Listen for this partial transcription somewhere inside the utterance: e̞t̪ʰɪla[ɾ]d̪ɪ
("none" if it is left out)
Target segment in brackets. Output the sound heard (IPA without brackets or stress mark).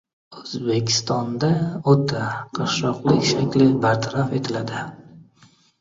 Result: none